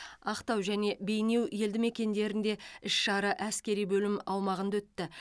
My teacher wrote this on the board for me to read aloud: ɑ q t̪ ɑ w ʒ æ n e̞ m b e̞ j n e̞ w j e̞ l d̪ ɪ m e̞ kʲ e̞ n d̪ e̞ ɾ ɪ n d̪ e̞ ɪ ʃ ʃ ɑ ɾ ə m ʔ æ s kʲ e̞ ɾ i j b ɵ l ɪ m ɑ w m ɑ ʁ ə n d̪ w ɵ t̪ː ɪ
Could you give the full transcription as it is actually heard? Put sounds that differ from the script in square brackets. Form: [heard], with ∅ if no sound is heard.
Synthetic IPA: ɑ q t̪ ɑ w ʒ æ n e̞ [∅] b e̞ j n e̞ w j e̞ l d̪ ɪ m e̞ kʲ e̞ n d̪ e̞ ɾ ɪ n d̪ e̞ ɪ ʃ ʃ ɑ ɾ ə [∅] ʔ æ s kʲ e̞ ɾ i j b ɵ l ɪ m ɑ w m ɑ ʁ ə n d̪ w ɵ t̪ː ɪ